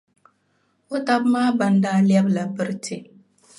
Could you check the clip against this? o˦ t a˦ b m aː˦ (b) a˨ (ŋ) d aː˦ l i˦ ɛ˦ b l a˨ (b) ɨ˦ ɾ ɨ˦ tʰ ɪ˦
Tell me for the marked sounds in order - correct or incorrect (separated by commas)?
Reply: correct, incorrect, correct